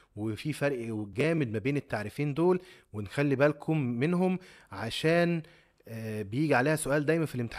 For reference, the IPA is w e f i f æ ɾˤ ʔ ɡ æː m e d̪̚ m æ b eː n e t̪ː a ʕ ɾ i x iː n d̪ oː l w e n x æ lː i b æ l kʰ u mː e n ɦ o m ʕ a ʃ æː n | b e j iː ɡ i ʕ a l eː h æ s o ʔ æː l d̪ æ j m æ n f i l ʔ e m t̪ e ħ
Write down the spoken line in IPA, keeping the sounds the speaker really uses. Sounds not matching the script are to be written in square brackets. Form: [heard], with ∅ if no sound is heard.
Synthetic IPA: w e f i f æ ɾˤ ʔ ɡ æː m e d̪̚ m æ b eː n e t̪ː a ʕ ɾ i [f] iː n d̪ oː l w e n x æ lː i b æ l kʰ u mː e n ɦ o m ʕ a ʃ æː n | b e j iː ɡ i ʕ a l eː h æ s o ʔ æː l d̪ æ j m æ n f i l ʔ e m t̪ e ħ